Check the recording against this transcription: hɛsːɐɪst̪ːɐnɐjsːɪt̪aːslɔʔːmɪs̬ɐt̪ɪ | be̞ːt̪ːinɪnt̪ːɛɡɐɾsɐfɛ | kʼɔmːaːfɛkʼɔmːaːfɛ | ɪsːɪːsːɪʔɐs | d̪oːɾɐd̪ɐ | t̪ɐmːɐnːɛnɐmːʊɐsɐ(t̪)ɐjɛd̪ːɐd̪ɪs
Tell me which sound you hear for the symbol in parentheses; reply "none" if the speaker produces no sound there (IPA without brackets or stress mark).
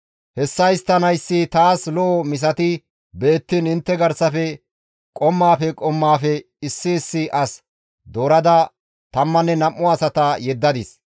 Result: t̪